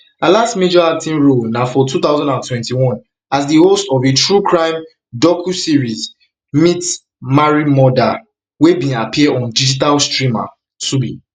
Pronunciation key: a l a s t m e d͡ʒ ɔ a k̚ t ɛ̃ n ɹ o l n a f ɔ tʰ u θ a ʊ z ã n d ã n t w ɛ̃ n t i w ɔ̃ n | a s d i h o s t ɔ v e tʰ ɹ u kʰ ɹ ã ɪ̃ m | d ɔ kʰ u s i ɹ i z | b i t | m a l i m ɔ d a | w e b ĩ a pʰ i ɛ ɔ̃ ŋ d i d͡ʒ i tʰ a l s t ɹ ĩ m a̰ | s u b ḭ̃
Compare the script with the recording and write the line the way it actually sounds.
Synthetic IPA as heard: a l a s t m e d͡ʒ ɔ a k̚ t ĩ n ɹ o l n a f ɔ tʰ u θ a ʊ z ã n d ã n t w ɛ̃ n t i w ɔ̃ n | a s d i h o s t ɔ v e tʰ ɹ u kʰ ɹ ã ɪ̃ m | d ɔ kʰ u s i ɹ i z | m i t | m a ɹ i m ɔ d a | w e b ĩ a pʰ i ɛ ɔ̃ n d i d͡ʒ i t a l s t ɹ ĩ m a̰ | s u b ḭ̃